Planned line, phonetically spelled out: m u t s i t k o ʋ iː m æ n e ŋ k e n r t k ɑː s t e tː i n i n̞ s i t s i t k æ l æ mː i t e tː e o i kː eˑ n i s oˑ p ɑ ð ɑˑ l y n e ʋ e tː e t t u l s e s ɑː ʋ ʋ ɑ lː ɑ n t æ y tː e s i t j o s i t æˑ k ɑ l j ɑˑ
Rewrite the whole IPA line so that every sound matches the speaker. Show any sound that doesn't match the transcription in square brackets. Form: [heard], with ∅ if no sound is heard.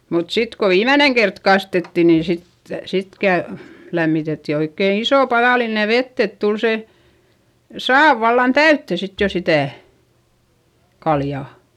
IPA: m u t s i t k o ʋ iː m æ n e ŋ k e [∅] r t k [ɑ] s t e tː i n i n̞ s i t s i t k æ l æ mː i t e tː [i] o i kː eˑ n i s oˑ p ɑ ð ɑˑ l [i] n e ʋ e tː e t t u l s e s ɑː ʋ ʋ ɑ lː ɑ n t æ y tː e s i t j o s i t æˑ k ɑ l j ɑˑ